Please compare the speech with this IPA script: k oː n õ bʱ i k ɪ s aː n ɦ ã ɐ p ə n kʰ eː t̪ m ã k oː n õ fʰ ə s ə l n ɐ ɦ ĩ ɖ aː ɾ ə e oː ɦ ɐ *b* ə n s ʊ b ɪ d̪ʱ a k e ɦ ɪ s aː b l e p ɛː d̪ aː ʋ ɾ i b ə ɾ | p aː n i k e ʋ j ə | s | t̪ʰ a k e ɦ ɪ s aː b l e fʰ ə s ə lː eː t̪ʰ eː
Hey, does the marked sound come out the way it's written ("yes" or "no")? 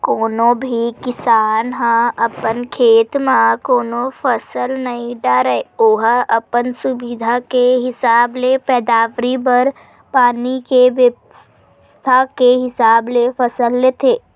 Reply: no